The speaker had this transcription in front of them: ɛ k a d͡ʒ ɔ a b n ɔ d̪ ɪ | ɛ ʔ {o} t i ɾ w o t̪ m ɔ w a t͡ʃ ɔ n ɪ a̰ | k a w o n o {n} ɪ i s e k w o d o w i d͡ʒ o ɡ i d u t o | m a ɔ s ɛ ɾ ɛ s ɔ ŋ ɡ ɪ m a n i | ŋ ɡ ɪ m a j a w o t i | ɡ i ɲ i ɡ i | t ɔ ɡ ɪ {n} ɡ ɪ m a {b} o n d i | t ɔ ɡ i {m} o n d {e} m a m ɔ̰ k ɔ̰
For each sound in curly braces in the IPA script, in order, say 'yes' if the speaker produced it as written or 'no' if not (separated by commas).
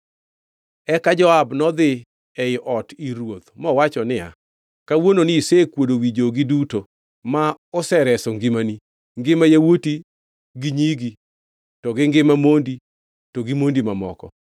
no, yes, no, no, yes, no